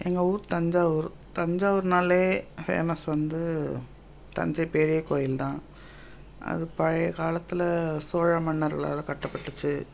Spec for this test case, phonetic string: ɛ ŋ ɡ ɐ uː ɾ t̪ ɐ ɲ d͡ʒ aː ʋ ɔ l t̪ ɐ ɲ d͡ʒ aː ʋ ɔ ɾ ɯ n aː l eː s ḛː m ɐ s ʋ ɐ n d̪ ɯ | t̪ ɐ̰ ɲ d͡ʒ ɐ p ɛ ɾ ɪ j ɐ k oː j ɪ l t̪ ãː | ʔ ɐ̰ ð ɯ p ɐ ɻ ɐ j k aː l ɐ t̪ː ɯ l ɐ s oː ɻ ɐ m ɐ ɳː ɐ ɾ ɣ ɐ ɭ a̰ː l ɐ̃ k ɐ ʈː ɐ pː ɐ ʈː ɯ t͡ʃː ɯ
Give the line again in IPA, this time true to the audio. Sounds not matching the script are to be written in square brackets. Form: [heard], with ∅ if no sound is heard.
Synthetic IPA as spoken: ɛ ŋ ɡ ɐ uː ɾ t̪ ɐ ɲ d͡ʒ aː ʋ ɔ [ɾ] t̪ ɐ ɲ d͡ʒ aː ʋ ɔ ɾ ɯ n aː l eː [f] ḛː m ɐ s ʋ ɐ n d̪ ɯ | t̪ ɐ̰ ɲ d͡ʒ ɐ p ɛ ɾ ɪ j ɐ k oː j ɪ l t̪ ãː | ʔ ɐ̰ ð ɯ p ɐ ɻ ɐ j k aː l ɐ t̪ː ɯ l ɐ s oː ɻ ɐ m ɐ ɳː ɐ ɾ ɣ ɐ ɭ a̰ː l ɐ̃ k ɐ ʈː ɐ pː ɐ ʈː ɯ t͡ʃː ɯ